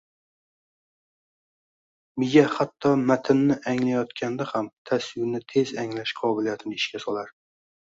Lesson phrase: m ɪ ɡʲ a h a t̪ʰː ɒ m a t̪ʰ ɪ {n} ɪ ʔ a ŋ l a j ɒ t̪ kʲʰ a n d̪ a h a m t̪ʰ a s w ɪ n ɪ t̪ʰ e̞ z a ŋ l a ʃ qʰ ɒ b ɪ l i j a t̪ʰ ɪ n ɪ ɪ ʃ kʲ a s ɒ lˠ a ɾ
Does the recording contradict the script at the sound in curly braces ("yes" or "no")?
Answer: yes